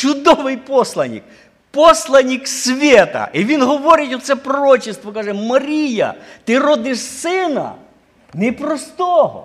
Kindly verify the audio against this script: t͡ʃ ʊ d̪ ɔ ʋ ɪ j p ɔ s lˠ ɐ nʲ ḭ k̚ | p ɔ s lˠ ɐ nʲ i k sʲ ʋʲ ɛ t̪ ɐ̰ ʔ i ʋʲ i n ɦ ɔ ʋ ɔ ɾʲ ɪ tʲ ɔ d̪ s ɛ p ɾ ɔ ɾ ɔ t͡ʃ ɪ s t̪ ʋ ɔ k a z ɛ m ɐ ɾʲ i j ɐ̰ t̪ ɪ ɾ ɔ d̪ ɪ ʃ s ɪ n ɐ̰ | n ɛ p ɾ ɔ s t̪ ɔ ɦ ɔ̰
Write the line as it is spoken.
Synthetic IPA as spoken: t͡ʃ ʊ d̪ ɔ ʋ ɪ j p ɔ s lˠ ɐ nʲ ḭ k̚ | p ɔ s lˠ ɐ nʲ i k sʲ ʋʲ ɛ t̪ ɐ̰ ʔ i ʋʲ i n ɦ ɔ ʋ ɔ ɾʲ ɪ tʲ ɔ t̪ s ɛ p ɾ ɔ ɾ ɔ t͡ʃ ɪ s t̪ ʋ ɔ k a ʒ ɛ m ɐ ɾʲ i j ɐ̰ t̪ ɪ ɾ ɔ d̪ ɪ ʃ s ɪ n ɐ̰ | n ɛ p ɾ ɔ s t̪ ɔ ɦ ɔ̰